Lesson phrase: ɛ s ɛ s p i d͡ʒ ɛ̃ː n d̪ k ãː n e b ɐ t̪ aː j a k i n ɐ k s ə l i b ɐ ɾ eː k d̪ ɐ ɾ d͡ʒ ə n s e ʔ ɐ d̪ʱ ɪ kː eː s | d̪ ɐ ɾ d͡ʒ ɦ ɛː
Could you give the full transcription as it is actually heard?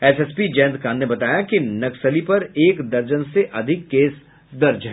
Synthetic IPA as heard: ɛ s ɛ s p i d͡ʒ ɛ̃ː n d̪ k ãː n e b ɐ t̪ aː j a k i n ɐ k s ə l i p ɐ ɾ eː k d̪ ɐ ɾ d͡ʒ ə n s e ʔ ɐ d̪ʱ ɪ kː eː s | d̪ ɐ ɾ d͡ʒ ɦ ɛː